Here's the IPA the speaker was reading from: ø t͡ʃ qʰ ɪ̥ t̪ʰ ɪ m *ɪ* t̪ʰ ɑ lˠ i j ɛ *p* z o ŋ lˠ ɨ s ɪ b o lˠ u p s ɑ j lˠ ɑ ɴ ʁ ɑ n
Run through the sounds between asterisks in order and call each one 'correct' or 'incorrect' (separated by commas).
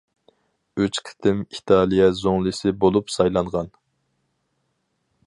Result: incorrect, incorrect